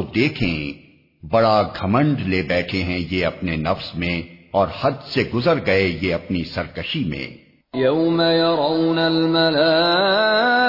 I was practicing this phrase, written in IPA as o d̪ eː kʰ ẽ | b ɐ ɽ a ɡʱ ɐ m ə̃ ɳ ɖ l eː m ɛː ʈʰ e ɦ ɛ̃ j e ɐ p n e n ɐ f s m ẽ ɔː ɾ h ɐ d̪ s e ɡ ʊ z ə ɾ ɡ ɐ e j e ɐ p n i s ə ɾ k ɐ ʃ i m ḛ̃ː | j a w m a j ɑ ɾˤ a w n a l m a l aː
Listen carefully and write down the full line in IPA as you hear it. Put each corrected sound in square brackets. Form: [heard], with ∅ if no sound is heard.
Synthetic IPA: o d̪ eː kʰ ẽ | b ɐ ɽ a ɡʱ ɐ m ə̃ ɳ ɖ l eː [b] ɛː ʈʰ e ɦ ɛ̃ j e ɐ p n e n ɐ f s m ẽ ɔː ɾ h ɐ d̪ s e ɡ ʊ z ə ɾ ɡ ɐ e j e ɐ p n i s [ɐ] ɾ k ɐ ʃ i m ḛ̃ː | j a w m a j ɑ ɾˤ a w n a l m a l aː